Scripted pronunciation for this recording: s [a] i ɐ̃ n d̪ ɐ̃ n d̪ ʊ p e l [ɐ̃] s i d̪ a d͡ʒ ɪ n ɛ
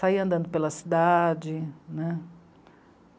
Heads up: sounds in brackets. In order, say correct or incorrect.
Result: correct, incorrect: ɐ

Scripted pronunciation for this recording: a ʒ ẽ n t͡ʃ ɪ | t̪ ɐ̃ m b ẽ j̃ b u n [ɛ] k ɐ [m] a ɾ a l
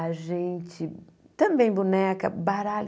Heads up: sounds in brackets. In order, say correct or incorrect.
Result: correct, incorrect: b

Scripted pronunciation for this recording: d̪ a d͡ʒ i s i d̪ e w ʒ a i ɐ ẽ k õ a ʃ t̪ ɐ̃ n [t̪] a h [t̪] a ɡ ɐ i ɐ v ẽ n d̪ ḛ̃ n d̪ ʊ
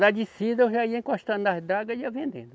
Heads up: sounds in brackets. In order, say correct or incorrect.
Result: incorrect: d̪, incorrect: d̪

